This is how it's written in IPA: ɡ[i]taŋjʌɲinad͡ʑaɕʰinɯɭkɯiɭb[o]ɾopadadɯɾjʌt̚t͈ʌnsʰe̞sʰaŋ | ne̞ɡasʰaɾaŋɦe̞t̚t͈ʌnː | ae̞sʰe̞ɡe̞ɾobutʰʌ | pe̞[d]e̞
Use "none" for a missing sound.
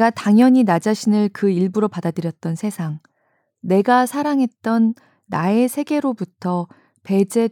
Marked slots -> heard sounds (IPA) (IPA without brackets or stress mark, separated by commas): a, u, d͡ʑ